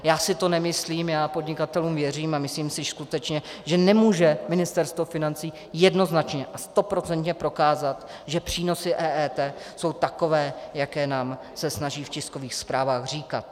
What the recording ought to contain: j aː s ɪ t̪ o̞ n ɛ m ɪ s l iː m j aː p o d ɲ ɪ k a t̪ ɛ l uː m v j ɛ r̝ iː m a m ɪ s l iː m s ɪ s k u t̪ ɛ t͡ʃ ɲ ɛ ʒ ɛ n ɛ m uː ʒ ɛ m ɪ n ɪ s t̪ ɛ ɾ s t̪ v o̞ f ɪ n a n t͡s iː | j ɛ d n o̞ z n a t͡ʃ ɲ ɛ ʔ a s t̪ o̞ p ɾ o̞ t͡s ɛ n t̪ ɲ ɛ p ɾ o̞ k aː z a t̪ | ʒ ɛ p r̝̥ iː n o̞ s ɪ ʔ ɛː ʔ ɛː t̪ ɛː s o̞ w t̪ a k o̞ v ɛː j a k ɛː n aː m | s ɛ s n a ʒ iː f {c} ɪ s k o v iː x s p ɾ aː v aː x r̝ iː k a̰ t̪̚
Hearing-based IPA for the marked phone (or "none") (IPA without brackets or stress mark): c